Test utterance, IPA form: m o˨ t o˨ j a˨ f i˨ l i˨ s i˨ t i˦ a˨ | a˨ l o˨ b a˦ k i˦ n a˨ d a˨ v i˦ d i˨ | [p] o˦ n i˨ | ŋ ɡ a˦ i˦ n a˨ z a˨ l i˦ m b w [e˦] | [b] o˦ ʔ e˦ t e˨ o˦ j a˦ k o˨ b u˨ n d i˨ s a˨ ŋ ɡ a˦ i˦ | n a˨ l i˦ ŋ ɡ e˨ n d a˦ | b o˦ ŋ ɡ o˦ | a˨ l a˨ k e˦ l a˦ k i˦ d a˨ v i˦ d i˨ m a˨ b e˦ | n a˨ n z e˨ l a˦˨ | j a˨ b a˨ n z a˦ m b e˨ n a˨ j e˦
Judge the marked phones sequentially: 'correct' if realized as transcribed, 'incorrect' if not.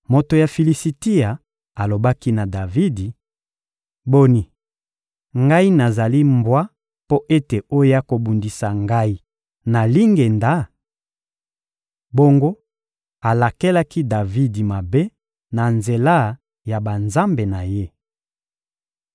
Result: incorrect, incorrect, incorrect

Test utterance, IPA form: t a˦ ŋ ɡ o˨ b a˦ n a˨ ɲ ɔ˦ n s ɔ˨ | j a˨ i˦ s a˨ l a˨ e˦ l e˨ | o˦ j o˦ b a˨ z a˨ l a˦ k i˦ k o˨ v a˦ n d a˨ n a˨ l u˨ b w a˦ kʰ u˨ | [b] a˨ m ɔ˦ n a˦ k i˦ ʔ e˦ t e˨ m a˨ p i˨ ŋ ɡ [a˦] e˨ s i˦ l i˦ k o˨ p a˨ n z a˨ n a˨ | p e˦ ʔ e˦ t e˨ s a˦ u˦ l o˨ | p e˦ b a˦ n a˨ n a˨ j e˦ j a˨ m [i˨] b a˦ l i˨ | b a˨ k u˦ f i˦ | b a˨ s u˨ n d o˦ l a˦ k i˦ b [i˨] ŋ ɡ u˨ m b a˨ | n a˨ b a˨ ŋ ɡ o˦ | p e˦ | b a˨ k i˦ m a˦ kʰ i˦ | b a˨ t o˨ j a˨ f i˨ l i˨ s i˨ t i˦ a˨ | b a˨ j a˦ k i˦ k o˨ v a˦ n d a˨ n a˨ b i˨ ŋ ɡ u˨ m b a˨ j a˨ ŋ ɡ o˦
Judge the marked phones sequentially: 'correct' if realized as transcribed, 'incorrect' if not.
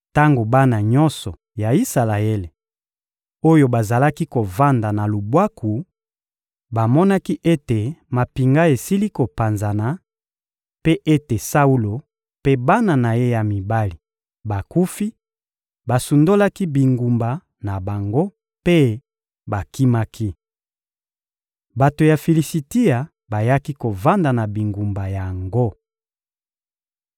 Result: correct, correct, correct, correct

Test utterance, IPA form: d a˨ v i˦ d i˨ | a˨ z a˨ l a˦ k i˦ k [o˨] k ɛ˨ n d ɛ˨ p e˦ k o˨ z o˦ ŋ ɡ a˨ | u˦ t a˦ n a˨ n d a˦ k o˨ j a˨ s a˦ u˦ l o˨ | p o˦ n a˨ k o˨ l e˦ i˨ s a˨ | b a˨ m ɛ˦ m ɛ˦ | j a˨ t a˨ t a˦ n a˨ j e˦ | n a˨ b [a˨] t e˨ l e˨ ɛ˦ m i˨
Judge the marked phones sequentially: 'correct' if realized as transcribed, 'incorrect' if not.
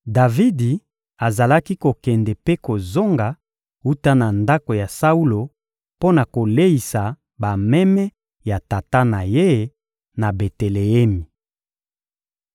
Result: correct, incorrect

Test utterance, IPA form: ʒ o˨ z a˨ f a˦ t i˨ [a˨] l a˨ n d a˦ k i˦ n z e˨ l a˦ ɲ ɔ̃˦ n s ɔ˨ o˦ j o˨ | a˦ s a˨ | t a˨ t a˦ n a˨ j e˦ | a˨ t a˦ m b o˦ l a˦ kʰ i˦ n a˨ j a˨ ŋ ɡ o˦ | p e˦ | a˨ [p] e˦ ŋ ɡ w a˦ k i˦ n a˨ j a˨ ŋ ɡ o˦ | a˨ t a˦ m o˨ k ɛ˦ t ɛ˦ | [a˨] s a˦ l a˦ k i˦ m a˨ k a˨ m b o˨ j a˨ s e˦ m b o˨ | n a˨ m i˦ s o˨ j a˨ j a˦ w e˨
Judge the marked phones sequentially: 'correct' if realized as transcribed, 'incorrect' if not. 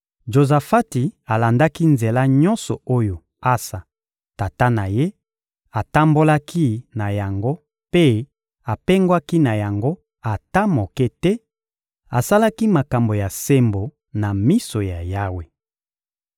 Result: correct, correct, correct

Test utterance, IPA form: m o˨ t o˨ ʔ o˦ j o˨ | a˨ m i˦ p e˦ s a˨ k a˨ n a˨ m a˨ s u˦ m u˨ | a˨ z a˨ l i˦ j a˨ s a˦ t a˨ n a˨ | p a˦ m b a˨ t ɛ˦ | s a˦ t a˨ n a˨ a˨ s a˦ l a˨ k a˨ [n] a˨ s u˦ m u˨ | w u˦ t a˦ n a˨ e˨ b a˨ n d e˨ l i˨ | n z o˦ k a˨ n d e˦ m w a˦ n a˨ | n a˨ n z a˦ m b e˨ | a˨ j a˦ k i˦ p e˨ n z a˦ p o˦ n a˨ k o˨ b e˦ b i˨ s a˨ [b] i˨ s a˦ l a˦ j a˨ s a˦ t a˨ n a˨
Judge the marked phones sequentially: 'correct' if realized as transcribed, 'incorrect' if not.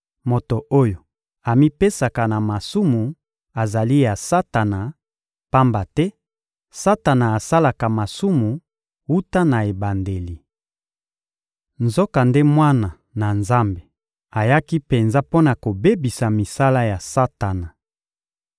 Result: incorrect, incorrect

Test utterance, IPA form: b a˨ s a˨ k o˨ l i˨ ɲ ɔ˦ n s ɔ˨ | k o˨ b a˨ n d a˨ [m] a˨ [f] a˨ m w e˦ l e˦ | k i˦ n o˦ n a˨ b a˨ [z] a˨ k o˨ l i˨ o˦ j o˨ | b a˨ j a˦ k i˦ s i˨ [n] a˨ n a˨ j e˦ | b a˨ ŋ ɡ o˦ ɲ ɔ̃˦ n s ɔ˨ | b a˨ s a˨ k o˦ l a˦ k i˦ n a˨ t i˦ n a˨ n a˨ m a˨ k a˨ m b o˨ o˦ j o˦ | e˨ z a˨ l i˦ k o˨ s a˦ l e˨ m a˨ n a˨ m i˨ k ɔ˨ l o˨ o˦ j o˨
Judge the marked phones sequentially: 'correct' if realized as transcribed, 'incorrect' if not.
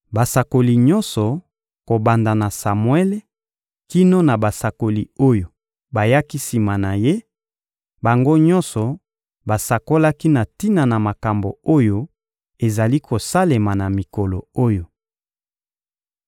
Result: incorrect, incorrect, incorrect, incorrect

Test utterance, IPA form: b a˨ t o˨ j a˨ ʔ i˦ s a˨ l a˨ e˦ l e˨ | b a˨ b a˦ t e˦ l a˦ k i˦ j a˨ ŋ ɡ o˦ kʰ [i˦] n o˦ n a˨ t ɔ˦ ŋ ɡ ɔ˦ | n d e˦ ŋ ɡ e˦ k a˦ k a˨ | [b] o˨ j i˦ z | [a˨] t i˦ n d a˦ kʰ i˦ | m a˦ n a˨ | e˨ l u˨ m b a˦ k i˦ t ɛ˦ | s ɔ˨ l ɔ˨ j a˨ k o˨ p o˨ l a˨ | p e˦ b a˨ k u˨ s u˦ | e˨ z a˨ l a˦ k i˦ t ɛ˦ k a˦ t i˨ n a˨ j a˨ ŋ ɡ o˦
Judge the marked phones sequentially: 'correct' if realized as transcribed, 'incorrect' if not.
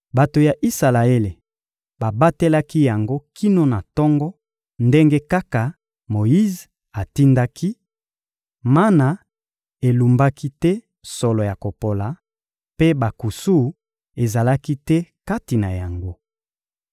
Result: correct, incorrect, correct

